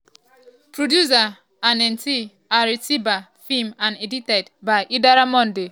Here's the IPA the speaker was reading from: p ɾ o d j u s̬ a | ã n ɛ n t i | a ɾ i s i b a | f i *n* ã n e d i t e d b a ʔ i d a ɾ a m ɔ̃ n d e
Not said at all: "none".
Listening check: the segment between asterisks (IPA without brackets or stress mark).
m